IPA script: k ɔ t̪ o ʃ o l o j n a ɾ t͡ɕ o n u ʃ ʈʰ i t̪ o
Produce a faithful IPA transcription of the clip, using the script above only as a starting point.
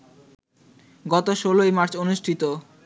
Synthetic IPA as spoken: ɡ ɔ t̪ o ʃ o l o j m a ɾ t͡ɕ o n u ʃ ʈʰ i t̪ o